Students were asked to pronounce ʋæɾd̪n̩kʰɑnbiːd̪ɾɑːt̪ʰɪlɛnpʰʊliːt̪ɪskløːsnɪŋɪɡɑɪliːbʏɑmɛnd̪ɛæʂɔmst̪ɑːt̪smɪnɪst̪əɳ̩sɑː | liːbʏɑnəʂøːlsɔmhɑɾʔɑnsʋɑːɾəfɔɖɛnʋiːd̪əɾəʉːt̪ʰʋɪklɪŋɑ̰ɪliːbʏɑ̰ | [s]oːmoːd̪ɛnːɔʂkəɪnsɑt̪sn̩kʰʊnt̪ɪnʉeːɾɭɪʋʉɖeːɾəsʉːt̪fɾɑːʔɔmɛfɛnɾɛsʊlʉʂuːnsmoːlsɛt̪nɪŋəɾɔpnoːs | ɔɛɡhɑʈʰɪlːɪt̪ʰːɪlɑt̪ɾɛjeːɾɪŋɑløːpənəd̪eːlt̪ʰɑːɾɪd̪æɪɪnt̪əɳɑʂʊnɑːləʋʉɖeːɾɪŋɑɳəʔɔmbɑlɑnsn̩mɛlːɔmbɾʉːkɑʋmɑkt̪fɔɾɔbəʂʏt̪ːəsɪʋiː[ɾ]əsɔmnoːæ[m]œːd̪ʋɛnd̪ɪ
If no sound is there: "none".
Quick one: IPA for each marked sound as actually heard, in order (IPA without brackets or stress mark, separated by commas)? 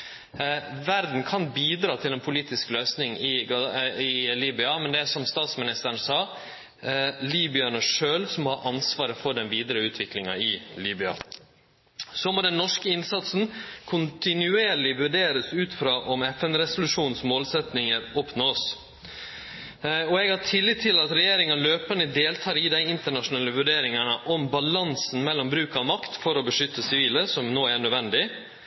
s, l, ɳ